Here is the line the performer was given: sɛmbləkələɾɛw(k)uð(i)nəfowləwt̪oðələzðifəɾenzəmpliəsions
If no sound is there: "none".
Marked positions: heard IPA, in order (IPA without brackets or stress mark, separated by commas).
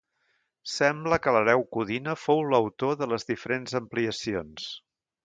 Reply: k, i